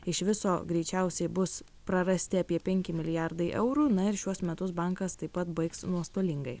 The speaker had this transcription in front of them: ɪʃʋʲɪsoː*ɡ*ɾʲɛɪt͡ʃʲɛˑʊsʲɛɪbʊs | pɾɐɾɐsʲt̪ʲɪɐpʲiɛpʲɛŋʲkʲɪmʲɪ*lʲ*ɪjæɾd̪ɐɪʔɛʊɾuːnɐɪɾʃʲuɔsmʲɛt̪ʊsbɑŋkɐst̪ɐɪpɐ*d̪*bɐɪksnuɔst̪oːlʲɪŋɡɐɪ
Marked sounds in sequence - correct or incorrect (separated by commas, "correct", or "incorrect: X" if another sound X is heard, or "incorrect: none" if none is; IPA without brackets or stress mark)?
correct, correct, incorrect: t̪